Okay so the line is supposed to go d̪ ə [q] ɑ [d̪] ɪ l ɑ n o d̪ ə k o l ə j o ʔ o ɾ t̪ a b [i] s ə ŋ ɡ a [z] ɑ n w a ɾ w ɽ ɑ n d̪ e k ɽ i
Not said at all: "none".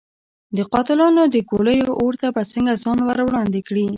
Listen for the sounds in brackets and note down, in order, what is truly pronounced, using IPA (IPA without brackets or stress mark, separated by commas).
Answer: q, t̪, a, z